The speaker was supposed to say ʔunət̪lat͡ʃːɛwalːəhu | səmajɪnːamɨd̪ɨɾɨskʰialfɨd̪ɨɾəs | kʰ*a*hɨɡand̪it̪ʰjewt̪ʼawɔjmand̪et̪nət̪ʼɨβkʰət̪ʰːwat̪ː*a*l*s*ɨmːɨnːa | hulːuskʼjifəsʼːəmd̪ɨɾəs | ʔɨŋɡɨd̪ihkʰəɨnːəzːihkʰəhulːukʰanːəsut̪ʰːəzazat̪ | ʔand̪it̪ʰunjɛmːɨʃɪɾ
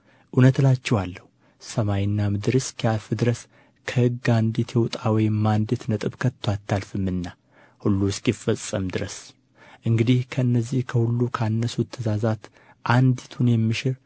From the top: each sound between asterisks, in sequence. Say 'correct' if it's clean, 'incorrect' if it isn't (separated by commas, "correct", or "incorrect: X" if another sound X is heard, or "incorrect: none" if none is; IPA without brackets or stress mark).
incorrect: ə, correct, incorrect: f